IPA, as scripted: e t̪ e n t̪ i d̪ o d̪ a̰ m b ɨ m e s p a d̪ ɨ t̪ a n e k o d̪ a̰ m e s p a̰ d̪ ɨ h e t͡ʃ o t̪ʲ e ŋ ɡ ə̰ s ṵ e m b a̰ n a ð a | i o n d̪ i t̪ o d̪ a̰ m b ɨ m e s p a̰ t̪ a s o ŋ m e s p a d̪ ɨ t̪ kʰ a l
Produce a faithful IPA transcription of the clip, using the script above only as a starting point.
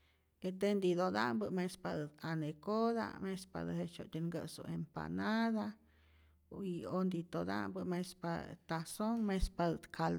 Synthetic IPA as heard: e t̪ e n d̪ i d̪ o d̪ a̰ m b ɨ m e s p a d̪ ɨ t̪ a n e k o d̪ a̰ m e s p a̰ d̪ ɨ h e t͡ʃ o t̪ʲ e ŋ ɡ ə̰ s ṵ e m p a̰ n a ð a | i o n d̪ i t̪ o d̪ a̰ m b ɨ m e s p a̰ t̪ a s o ŋ m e s p a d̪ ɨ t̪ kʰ a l

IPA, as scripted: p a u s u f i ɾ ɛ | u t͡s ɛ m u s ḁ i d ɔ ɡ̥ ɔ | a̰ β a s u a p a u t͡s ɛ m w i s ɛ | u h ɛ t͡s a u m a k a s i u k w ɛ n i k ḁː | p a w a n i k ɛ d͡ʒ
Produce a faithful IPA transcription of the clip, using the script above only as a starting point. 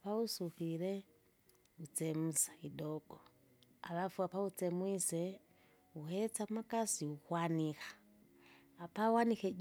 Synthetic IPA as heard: p a u s u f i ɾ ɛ | u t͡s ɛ m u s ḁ i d ɔ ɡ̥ ɔ | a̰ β a f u a p a u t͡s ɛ m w i s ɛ | u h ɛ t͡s a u m a k a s i u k w a n i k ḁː | p a w a n i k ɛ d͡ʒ

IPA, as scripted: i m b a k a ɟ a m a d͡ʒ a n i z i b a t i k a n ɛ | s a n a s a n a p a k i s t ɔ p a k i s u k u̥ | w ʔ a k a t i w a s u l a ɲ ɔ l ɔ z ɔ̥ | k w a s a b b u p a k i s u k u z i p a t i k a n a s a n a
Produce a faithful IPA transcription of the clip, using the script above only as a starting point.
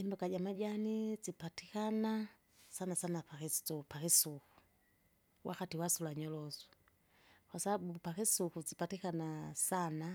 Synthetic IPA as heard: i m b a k a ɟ a m a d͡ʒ a n i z i p a t i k a n a | s a n a s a n a p a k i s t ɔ p a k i s u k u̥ | w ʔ a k a t i w a s u l a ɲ ɔ l ɔ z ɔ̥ | k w a s a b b u p a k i s u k u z i p a t i k a n a s a n a

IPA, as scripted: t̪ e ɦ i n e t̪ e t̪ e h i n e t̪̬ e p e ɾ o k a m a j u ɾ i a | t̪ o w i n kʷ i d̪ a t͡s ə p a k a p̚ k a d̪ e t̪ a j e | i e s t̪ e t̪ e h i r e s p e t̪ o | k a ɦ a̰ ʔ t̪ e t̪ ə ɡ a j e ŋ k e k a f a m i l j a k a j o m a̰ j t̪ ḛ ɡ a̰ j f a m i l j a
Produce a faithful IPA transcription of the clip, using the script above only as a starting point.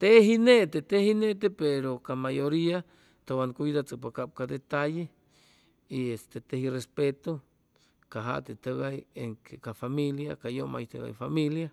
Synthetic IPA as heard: t̪ e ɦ i n e t̪ e t̪ e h i n e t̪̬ e p e ɾ o k a m a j o ɾ i a | t̪ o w a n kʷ i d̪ a t͡s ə p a k a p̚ k a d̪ e t̪ a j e | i e s t̪ e t̪ e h i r e s p e t̪ o | k a ɦ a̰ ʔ t̪ e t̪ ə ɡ a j e ŋ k e k a f a m i l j a k a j o m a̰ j t̪ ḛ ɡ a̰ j f a m i l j a

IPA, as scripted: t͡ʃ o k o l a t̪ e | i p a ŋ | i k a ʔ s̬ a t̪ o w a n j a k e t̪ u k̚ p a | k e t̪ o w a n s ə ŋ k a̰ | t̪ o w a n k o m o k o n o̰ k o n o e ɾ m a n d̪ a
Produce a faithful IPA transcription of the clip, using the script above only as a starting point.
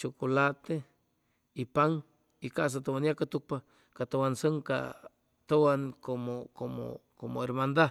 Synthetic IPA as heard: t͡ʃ o k o l a t̪ e | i p a ŋ | i k a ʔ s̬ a t̪ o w a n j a k a t̪ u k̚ p a | k a t̪ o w a n s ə ŋ k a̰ | t̪ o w a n k o m o k o m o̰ k o m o e ɾ m a n d̪ a

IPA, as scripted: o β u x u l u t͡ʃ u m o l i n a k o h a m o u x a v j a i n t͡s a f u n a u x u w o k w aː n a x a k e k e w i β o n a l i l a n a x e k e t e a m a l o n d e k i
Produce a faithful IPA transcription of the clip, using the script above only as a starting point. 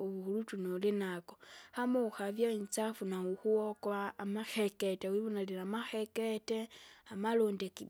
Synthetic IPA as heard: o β u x u l u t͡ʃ u n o l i n a k o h a m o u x a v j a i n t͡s a f u n a u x u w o k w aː m a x e k e t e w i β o n a l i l a m a x e k e t e a m a l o n d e k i

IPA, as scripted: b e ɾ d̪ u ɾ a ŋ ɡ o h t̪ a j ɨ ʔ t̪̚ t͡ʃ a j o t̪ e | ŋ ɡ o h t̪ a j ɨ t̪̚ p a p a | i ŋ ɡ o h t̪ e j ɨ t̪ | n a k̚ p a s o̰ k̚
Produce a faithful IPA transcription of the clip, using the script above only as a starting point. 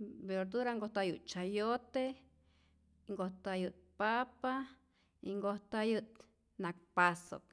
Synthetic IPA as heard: b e ɾ d̪ u ɾ a ŋ ɡ o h t̪ a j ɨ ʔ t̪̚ t͡ʃ a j o t̪ e | ŋ ɡ o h t̪ a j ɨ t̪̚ p a p a | i ŋ ɡ o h t̪ a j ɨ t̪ | n a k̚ p a s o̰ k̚

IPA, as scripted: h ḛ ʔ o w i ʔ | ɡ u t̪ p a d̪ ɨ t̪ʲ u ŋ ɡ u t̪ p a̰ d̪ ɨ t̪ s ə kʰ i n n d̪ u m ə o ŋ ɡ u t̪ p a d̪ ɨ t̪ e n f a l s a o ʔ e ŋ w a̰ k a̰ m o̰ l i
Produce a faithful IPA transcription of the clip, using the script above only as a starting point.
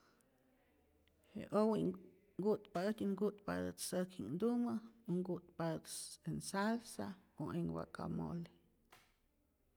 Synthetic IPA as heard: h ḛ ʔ o w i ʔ | ɡ u t̪ p a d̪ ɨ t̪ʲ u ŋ ɡ u t̪ p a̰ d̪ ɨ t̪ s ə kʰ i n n d̪ u m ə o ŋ ɡ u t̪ p a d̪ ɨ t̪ e n s a l s a o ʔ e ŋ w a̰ k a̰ m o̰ l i

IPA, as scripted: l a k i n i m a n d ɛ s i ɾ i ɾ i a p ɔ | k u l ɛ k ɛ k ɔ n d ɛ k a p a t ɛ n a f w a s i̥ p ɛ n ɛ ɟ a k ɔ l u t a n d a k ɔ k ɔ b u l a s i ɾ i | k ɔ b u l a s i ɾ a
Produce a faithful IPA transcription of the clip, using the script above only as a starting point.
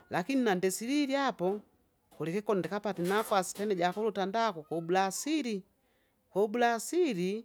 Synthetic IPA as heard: l a k i n i n a n d ɛ s i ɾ i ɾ i a p ɔ | k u l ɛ k ɛ k ɔ n d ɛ k a p a t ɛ n a f w a s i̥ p ɛ n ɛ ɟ a k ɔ l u t a n d a k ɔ k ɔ b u l a s i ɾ i | k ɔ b u l a s i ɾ i

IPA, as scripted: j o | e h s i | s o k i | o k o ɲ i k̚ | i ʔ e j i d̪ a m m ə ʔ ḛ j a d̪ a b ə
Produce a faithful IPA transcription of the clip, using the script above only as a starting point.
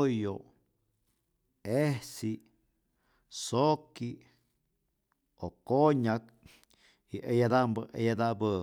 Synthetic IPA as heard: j o | e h s i | s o k i | o k o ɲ a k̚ | i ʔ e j a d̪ a m b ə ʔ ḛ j a d̪ a b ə

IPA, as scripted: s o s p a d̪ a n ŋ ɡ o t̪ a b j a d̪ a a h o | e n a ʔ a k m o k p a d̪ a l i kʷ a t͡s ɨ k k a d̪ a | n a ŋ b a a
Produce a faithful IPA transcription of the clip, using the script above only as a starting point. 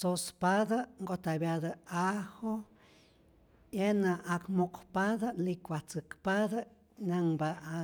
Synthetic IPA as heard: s o s p a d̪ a ŋ ɡ o t̪ a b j a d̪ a a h o | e n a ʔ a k m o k p a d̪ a l i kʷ a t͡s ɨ k p a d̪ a | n a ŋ b a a

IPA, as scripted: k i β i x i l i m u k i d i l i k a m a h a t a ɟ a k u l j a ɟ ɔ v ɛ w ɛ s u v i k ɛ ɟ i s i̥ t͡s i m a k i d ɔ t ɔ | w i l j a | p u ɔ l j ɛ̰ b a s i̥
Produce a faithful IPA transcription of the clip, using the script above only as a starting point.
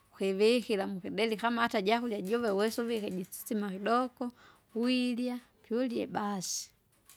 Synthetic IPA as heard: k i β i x i l a m u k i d ɛ l i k a m a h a t a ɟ a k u l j a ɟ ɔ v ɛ w ɛ s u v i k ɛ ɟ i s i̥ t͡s i m a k i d ɔ k ɔ | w i l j a | p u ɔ l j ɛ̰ b a s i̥

